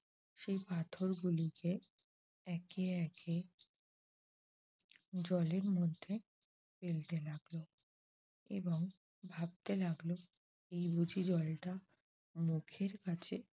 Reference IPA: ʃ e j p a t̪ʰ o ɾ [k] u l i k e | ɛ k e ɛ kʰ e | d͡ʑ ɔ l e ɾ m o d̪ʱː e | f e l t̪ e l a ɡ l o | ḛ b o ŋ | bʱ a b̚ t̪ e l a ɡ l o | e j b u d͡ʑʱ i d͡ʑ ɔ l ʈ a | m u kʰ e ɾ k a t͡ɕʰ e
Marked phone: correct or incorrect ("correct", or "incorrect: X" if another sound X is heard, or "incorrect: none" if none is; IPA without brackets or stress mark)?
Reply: incorrect: ɡ